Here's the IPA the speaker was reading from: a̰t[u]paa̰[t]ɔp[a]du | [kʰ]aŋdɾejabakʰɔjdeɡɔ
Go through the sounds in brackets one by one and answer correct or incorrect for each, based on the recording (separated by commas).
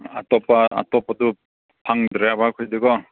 incorrect, correct, correct, incorrect